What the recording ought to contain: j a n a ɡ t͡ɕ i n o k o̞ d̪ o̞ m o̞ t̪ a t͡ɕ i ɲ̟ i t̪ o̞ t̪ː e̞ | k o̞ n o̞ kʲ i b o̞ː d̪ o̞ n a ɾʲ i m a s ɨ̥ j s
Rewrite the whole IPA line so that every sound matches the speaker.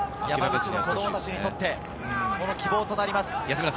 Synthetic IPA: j a m a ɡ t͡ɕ i n o k o̞ d̪ o̞ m o̞ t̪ a t͡ɕ i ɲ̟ i t̪ o̞ t̪ː e̞ | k o̞ n o̞ kʲ i b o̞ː t̪ o̞ n a ɾʲ i m a s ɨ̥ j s